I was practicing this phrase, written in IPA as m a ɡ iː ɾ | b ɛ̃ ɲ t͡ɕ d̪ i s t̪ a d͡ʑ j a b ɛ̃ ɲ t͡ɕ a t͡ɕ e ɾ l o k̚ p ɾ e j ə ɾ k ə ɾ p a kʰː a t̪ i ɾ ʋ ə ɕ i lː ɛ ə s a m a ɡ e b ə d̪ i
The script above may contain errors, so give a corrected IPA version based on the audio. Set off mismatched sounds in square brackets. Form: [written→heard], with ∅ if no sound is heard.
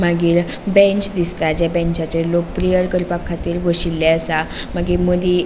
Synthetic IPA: m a ɡ iː ɾ | b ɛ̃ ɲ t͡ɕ d̪ i s t̪ a d͡ʑ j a b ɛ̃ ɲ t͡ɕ a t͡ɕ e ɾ l o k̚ p ɾ [e→i] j ə ɾ k ə ɾ p a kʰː a t̪ [i→iː] ɾ ʋ ə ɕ i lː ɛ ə s a m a ɡ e [b→m] ə d̪ i